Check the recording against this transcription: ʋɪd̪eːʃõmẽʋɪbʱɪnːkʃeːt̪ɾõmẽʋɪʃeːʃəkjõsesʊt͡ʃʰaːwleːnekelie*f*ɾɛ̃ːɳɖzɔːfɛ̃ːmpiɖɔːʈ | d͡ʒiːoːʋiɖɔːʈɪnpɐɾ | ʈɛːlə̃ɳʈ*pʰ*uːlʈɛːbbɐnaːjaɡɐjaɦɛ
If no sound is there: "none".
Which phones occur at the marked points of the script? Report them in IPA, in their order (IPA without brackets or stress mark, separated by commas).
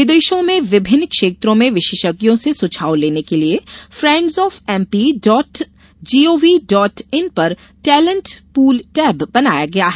f, p